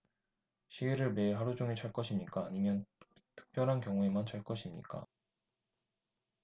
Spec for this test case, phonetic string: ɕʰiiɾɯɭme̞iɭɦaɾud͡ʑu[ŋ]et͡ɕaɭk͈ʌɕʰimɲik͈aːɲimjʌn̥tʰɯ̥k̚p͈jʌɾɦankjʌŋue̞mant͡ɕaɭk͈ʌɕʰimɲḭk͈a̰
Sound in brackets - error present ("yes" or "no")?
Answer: no